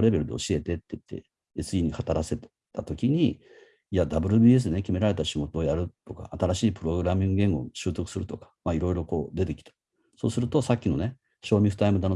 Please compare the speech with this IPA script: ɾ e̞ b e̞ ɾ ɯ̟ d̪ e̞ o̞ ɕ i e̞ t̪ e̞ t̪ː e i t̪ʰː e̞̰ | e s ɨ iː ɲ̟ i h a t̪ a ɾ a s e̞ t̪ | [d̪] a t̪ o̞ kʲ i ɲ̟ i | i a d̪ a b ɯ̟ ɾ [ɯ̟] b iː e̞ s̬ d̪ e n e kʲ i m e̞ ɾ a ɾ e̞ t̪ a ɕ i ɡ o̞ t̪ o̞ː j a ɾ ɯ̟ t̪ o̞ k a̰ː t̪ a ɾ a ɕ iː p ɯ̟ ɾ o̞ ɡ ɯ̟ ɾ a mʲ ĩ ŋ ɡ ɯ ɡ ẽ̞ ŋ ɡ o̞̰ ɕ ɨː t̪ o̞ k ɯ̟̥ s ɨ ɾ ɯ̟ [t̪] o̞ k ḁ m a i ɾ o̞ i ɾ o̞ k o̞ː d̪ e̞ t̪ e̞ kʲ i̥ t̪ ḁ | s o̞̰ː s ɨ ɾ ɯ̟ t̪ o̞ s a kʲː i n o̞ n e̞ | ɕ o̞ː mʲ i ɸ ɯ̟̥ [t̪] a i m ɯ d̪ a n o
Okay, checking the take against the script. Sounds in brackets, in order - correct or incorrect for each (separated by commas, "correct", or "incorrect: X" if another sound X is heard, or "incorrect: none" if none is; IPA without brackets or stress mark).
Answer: incorrect: t̪, correct, correct, correct